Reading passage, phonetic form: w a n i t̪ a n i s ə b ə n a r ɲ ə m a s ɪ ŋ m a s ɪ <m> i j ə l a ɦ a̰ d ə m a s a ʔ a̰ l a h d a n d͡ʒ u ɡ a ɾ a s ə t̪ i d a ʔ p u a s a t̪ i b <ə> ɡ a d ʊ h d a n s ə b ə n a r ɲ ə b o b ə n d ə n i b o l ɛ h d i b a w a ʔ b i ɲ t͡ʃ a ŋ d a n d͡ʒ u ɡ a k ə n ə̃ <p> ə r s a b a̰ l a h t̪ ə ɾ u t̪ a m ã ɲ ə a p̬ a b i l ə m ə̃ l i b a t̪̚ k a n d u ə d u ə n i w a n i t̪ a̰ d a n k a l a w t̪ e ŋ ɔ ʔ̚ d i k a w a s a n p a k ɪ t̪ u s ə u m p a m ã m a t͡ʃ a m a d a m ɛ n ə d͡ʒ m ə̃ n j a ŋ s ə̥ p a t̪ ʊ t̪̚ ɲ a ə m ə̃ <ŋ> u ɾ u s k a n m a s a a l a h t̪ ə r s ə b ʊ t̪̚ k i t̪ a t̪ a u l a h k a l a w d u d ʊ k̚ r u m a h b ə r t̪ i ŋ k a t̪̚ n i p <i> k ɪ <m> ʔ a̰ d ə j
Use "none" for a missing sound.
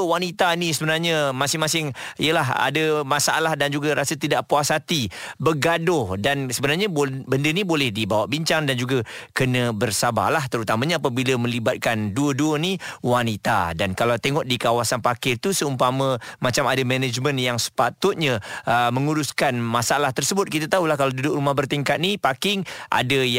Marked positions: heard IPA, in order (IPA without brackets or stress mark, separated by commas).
ŋ, ə, b, ŋ, a, ŋ